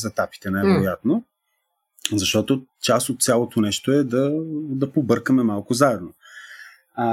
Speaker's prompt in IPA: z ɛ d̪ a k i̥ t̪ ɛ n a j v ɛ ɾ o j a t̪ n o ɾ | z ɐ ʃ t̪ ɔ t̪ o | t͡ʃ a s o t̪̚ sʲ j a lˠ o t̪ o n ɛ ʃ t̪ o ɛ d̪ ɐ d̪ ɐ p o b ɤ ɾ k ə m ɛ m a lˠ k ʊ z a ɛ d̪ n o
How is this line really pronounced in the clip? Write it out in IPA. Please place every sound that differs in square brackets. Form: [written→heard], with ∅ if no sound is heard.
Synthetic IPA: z ɛ [d̪→t̪] a [k→p] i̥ t̪ ɛ n a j v ɛ ɾ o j a t̪ n o [ɾ→∅] | z ɐ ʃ t̪ ɔ t̪ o | t͡ʃ a s o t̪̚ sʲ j a lˠ o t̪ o n ɛ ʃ t̪ o ɛ d̪ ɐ d̪ ɐ p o b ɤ ɾ k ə m ɛ m a lˠ k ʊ z a ɛ d̪ n o